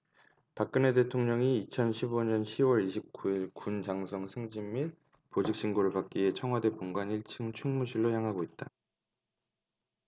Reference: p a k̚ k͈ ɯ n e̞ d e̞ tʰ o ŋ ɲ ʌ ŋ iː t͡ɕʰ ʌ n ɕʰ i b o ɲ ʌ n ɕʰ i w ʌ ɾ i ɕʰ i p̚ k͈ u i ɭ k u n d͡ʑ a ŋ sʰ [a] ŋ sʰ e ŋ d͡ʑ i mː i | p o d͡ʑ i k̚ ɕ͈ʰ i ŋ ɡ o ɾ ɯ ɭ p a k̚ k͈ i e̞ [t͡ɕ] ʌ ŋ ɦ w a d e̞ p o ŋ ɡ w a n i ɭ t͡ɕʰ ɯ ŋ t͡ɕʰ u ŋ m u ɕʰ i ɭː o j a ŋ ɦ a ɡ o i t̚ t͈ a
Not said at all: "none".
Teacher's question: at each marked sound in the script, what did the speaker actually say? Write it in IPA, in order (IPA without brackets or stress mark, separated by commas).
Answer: ʌ, t͡ɕʰ